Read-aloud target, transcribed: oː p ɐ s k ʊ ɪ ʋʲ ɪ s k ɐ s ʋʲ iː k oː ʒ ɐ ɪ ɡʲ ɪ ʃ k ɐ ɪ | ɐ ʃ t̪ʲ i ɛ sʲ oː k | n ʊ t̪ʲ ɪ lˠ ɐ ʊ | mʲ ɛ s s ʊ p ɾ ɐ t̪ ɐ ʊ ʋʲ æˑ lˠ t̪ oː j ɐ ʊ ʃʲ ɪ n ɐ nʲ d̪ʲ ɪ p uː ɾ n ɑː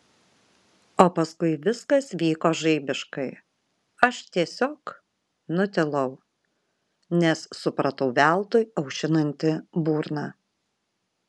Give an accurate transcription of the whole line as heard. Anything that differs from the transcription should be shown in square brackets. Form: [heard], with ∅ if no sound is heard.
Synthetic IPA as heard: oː p ɐ s k ʊ ɪ ʋʲ ɪ s k ɐ s ʋʲ iː k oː ʒ ɐ ɪ [bʲ] ɪ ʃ k ɐ ɪ | ɐ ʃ t̪ʲ i ɛ sʲ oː k | n ʊ t̪ʲ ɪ lˠ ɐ ʊ | [nʲ] ɛ s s ʊ p ɾ ɐ t̪ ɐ ʊ ʋʲ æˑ lˠ t̪ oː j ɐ ʊ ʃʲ ɪ n ɐ nʲ [t̪ʲ] ɪ [b] uː ɾ n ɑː